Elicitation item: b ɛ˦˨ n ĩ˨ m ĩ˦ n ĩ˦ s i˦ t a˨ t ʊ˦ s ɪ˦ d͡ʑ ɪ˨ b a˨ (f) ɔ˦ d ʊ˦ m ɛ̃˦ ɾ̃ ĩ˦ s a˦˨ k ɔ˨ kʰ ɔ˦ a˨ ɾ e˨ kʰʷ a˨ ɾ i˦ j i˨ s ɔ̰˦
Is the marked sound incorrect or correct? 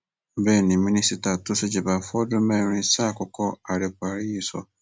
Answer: correct